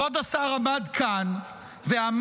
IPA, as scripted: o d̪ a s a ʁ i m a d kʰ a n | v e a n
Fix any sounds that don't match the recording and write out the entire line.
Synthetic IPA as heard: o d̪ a s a ʁ a m a d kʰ a n | v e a m